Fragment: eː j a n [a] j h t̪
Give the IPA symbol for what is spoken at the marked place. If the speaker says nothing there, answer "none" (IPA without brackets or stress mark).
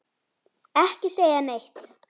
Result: e